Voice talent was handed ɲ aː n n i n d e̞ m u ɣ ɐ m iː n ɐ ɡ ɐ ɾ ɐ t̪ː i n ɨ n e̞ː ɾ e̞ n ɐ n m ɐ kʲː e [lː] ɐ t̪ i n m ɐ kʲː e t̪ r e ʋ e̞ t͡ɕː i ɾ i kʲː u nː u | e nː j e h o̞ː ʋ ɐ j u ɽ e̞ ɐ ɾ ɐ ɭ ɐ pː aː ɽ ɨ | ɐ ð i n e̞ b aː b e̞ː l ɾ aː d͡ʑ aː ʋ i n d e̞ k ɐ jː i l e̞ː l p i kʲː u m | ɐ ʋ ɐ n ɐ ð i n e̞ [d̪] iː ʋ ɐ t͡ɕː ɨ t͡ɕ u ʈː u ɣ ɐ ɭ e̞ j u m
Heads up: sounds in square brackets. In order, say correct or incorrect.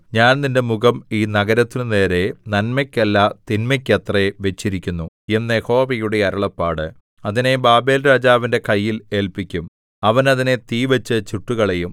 correct, incorrect: t̪

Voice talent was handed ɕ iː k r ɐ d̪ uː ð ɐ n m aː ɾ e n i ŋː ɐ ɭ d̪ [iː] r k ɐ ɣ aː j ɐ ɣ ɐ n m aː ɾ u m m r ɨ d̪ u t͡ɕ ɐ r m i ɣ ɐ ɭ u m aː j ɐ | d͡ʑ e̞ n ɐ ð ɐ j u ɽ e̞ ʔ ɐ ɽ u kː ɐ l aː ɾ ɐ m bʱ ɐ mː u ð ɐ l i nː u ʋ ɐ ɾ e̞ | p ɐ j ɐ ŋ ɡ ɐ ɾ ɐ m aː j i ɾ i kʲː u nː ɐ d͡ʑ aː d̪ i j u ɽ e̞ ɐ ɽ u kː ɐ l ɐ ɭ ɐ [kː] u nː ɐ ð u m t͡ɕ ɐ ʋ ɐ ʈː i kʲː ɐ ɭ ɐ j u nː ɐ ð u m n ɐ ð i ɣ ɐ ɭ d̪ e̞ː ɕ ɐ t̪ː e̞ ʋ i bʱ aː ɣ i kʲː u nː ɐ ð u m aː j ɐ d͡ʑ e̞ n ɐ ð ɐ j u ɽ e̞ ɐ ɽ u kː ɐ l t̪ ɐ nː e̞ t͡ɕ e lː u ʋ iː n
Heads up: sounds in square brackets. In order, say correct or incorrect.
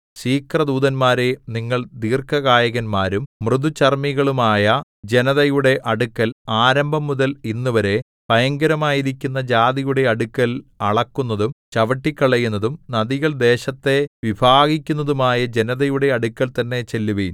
correct, correct

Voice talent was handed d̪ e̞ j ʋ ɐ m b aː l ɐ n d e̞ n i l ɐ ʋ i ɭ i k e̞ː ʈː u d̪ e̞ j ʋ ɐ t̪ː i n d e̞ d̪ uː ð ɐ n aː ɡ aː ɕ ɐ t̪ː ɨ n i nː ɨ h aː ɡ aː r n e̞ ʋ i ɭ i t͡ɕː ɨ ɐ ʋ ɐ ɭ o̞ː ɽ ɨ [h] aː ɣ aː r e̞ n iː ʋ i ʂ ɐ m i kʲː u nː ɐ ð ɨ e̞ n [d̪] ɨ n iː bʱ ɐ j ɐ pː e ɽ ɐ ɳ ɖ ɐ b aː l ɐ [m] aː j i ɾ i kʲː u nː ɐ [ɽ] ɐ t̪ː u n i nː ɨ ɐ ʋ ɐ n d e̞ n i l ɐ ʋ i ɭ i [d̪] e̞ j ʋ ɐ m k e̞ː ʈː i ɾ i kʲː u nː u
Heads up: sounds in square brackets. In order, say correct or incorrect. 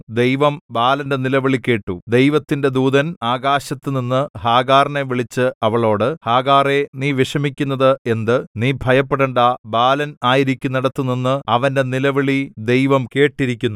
correct, correct, incorrect: n, correct, correct

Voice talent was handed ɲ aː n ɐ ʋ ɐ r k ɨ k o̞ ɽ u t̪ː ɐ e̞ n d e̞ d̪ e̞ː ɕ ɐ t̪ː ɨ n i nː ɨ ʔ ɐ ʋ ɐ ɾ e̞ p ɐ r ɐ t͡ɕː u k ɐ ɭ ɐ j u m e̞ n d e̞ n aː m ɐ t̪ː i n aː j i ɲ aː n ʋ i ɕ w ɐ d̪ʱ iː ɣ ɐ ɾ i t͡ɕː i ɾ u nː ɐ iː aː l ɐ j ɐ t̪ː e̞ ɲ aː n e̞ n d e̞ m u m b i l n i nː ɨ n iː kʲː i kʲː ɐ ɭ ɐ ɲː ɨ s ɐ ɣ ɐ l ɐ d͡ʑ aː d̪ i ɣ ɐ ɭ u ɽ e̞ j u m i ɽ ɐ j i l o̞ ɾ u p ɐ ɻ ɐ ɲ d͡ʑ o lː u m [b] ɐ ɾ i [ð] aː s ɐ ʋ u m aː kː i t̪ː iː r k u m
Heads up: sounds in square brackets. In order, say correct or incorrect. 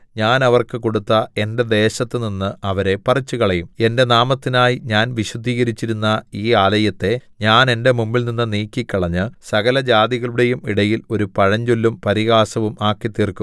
incorrect: p, incorrect: ɣ

